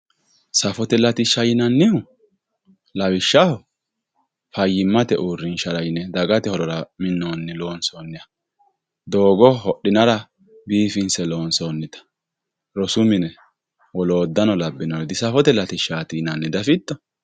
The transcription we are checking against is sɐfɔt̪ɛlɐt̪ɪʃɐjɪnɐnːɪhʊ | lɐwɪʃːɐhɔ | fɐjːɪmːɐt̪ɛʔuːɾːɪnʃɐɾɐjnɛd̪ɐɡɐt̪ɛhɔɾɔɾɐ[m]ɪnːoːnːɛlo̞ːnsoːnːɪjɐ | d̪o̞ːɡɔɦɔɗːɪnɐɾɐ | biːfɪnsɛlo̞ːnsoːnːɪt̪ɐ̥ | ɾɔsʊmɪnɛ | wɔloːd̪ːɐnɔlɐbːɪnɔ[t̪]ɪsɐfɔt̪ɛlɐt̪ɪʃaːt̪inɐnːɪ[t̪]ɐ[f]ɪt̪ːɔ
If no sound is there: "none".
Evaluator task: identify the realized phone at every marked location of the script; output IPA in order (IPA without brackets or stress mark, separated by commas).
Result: m, d̪, d̪, f